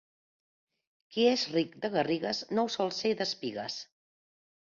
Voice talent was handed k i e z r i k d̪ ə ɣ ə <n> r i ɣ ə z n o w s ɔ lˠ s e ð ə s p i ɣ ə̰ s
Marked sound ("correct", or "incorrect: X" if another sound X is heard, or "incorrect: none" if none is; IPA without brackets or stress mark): incorrect: none